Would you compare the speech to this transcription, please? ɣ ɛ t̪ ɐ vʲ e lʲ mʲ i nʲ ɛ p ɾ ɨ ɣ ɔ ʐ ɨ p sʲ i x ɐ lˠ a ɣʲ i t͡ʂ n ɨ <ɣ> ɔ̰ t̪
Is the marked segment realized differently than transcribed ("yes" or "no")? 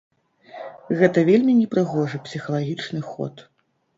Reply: yes